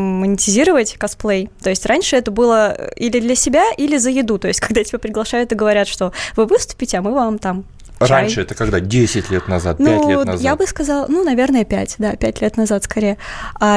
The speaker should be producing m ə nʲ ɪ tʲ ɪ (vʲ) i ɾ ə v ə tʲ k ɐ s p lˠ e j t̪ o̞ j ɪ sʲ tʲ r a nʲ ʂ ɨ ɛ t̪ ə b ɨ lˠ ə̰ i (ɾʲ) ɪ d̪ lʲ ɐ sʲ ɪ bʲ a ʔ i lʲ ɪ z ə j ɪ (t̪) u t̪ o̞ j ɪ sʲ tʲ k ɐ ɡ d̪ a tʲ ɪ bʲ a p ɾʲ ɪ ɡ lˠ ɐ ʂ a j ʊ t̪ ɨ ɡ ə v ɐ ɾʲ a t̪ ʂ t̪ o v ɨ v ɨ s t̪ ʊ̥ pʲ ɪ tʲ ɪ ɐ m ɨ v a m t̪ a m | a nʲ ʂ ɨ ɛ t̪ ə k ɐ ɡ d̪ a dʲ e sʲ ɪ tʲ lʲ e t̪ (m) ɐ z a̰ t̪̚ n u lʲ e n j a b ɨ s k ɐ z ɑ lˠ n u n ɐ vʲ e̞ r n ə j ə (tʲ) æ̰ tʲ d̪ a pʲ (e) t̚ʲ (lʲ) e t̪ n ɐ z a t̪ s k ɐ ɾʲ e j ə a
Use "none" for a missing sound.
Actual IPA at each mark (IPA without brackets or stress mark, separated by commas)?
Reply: zʲ, lʲ, d̪, n, pʲ, æ, lʲ